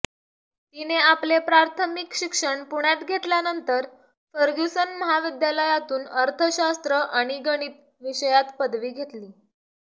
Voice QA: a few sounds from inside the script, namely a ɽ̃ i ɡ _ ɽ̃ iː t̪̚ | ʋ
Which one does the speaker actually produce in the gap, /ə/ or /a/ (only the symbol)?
ə